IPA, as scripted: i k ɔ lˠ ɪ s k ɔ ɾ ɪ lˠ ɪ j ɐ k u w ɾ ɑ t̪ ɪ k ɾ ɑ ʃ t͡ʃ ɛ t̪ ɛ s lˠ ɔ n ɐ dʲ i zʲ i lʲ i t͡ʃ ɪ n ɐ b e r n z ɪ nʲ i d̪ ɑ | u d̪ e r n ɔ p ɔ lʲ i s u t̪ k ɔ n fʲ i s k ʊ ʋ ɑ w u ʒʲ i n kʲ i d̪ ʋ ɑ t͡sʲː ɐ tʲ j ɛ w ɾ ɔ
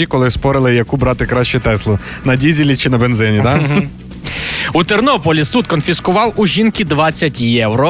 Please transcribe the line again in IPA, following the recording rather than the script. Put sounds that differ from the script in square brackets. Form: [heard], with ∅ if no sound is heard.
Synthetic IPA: i k ɔ lˠ ɪ s [p] ɔ ɾ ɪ lˠ ɪ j ɐ k u [b] ɾ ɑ t̪ ɪ k ɾ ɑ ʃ t͡ʃ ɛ t̪ ɛ s lˠ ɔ n ɐ dʲ i zʲ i lʲ i t͡ʃ ɪ n ɐ b e [∅] n z ɪ nʲ i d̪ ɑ | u [t̪] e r n ɔ p ɔ lʲ i s u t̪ k ɔ n fʲ i s k ʊ ʋ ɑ w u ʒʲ i n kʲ i d̪ ʋ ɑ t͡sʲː ɐ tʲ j ɛ w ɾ ɔ